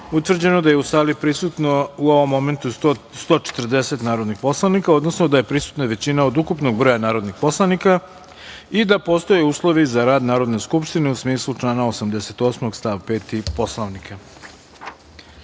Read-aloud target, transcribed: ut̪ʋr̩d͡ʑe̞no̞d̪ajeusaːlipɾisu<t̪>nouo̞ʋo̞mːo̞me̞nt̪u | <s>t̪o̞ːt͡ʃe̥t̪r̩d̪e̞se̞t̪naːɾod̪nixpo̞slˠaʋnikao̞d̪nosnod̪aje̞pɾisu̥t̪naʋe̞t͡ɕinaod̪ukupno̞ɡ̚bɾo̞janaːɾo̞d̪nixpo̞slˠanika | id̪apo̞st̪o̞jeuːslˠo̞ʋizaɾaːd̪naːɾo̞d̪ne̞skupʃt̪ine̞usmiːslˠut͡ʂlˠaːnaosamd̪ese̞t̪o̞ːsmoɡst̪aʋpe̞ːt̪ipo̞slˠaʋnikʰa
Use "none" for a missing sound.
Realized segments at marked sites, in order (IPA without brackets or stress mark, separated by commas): t̪, s